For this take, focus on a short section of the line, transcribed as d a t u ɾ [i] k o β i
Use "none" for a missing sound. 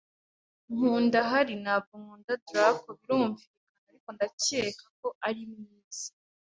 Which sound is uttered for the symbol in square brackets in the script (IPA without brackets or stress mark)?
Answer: a